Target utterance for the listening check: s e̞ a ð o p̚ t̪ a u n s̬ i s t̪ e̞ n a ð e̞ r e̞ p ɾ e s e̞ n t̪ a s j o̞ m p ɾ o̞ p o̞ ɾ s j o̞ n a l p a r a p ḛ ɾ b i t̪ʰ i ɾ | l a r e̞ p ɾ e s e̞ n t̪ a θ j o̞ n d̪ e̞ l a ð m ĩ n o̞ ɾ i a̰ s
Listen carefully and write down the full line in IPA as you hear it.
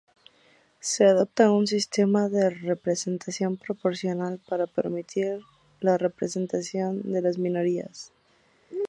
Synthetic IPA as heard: s e̞ a ð o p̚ t̪ a u n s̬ i s t̪ e̞ m a ð e̞ r e̞ p ɾ e s e̞ n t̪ a s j o̞ m p ɾ o̞ p o̞ ɾ s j o̞ n a l p a ɾ a p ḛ ɾ m i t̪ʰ i ɾ | l a r e̞ p ɾ e s e̞ n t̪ a s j o̞ n d̪ e̞ l a z m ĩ n o̞ ɾ i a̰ s